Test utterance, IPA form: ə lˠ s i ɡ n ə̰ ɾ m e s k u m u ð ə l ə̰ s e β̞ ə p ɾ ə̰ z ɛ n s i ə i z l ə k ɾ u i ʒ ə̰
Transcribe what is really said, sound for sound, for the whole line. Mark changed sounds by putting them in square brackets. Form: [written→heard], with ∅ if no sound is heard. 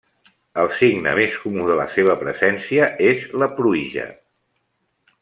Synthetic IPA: ə lˠ s i ɡ n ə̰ [ɾ→∅] m e s k u m u ð ə l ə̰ s e β̞ ə p ɾ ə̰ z ɛ n s i ə [i→e] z l ə [k→p] ɾ u i ʒ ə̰